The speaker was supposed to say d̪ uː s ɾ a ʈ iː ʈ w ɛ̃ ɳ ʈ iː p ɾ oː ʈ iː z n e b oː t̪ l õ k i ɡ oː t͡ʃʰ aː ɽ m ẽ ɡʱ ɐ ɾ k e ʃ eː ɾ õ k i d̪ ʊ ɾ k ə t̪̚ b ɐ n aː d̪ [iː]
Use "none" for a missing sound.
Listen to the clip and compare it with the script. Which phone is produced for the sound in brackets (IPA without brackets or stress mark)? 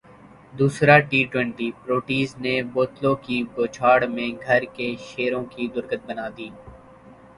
iː